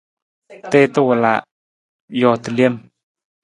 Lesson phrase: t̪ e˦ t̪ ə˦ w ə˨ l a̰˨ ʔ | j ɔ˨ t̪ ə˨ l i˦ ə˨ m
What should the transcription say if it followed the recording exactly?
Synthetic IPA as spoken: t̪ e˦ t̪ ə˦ w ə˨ l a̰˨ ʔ | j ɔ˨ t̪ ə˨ l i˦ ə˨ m